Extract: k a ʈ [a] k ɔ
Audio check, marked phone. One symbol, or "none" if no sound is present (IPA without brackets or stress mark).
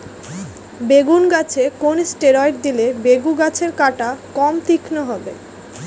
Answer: a